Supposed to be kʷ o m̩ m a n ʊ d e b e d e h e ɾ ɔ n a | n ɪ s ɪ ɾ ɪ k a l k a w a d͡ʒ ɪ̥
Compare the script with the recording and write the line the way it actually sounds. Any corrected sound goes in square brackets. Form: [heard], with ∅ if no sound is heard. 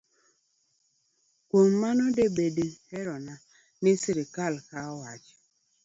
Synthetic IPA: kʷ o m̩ m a n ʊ d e b e d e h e ɾ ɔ n a | n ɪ s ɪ ɾ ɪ k a l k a w a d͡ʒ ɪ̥